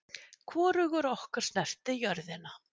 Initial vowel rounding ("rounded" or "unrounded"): rounded